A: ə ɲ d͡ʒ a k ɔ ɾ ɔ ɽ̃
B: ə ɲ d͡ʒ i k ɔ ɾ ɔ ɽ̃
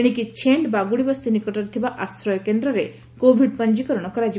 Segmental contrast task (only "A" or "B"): B